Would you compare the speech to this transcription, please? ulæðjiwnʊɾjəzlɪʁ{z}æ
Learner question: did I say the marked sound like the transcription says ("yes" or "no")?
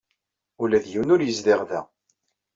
no